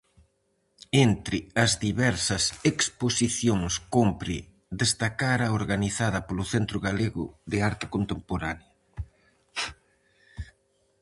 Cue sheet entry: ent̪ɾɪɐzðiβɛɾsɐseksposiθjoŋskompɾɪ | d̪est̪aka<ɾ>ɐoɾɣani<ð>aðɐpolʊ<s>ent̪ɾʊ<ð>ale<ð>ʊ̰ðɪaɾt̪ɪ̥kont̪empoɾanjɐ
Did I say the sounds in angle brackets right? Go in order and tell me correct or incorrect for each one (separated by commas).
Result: correct, incorrect, incorrect, incorrect, incorrect